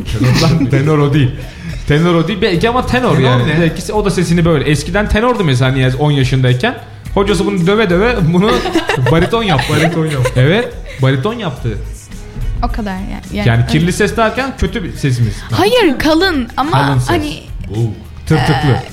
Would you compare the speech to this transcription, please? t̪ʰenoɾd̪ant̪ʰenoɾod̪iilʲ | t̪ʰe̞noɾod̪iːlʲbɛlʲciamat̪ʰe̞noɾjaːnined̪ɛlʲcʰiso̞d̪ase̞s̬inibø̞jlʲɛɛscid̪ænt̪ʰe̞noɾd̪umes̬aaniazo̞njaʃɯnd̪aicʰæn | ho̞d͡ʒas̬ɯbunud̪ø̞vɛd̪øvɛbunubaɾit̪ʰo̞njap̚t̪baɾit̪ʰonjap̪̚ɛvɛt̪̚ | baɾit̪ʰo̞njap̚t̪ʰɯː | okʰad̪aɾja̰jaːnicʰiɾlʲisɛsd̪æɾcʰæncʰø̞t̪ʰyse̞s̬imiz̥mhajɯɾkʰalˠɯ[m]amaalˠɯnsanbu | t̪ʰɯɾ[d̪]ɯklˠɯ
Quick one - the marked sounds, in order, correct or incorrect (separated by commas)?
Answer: incorrect, incorrect